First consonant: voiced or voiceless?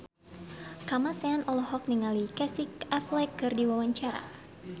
voiceless